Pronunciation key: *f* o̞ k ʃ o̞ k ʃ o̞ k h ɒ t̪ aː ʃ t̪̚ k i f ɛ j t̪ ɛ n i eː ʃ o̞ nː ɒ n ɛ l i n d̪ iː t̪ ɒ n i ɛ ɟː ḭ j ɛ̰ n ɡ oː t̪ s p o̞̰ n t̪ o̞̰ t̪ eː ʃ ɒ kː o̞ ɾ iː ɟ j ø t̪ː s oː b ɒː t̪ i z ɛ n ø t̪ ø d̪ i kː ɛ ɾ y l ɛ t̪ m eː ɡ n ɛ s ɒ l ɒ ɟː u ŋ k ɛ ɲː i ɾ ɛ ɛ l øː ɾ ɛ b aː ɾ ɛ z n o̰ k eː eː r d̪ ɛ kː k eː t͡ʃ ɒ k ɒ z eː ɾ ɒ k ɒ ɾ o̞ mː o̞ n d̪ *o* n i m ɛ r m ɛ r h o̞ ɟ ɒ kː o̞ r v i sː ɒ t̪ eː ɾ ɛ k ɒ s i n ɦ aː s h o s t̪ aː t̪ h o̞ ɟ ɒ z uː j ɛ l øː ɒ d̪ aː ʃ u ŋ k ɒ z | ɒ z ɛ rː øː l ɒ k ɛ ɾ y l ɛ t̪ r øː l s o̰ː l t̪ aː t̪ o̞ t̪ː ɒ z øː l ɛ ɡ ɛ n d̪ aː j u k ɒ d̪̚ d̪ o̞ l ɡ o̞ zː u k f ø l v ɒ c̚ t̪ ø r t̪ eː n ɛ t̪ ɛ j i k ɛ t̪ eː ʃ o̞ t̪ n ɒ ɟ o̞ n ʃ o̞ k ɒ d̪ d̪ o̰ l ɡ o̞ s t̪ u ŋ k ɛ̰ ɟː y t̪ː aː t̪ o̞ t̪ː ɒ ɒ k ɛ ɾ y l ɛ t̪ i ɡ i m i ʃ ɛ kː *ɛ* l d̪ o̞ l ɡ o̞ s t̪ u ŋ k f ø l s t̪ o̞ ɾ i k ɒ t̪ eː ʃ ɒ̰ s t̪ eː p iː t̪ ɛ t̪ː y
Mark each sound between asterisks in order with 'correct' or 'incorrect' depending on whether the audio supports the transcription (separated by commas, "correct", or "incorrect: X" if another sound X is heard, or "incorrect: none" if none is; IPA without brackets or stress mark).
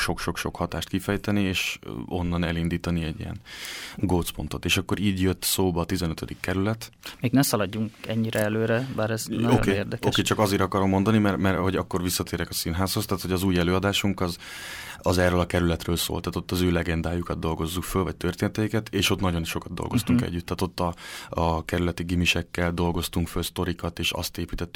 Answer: incorrect: ʃ, incorrect: ɒ, correct